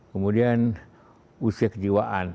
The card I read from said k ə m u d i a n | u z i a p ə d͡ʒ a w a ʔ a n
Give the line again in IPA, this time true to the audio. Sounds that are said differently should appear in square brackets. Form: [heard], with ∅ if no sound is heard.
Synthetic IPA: k ə m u d i a n | u [s] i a [k] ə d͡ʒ [i] w a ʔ a n